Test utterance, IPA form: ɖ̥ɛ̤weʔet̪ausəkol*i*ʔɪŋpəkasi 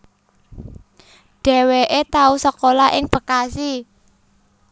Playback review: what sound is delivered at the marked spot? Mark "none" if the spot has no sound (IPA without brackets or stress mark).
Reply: a